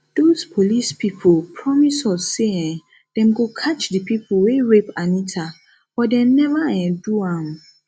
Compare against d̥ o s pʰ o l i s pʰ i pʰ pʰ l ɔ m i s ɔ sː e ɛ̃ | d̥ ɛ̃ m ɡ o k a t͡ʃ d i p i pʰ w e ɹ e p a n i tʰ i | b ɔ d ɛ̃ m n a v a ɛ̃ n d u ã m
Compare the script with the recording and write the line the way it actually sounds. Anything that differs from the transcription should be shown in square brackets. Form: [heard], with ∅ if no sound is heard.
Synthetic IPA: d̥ o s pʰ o l i s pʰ i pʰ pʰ [ɹ] ɔ m i s ɔ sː e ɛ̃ | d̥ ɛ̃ m ɡ o [kʰ] a t͡ʃ d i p i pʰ w e ɹ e p a n i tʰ [a] | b ɔ d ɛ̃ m n [ɛ] v a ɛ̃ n d u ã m